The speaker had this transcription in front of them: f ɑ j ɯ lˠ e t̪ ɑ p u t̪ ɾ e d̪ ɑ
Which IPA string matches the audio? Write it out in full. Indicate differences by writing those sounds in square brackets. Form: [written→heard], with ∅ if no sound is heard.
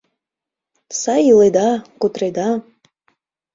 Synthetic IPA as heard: [f→s] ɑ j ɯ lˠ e [t̪→d̪] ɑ [p→k] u t̪ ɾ e d̪ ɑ